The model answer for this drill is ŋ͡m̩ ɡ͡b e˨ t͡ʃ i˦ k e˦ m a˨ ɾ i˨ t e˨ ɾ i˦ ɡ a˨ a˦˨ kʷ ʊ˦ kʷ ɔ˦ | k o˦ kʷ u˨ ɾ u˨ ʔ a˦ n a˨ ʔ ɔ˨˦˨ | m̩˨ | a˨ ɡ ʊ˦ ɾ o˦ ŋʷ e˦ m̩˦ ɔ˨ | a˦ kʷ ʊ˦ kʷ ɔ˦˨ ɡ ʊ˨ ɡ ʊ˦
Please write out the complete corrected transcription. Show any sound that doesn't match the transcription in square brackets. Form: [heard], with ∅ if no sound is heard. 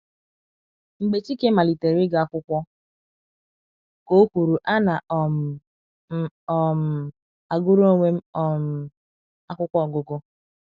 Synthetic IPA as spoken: ŋ͡m̩ ɡ͡b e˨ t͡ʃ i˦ k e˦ m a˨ [l] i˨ t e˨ ɾ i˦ ɡ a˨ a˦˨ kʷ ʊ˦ kʷ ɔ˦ | k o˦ kʷ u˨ ɾ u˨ ʔ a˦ n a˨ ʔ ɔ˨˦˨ | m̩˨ | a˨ ɡ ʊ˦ ɾ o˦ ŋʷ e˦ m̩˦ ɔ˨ | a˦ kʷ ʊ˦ kʷ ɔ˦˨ ɡ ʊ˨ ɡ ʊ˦